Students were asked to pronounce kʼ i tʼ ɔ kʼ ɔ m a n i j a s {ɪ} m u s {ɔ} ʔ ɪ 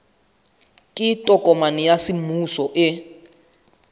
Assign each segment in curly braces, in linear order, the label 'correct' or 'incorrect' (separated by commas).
incorrect, correct